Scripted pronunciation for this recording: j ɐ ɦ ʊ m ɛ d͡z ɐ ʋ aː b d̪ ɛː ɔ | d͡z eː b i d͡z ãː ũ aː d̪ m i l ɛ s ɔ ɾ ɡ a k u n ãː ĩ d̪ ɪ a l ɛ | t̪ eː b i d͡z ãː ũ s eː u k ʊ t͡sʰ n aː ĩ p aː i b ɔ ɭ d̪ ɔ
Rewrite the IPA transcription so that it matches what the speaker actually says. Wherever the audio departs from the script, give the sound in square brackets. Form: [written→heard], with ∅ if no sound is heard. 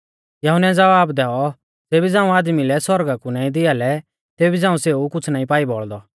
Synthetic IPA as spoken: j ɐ ɦ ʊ [m→n] ɛ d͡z ɐ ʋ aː b d̪ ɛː ɔ | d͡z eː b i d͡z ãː ũ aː d̪ m i l ɛ s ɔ ɾ ɡ a k u n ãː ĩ d̪ ɪ a l ɛ | t̪ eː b i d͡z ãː ũ s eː u k ʊ t͡sʰ n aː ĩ p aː i b ɔ ɭ d̪ ɔ